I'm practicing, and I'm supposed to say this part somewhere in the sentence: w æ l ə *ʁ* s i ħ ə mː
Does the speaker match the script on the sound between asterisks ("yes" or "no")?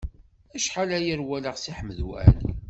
yes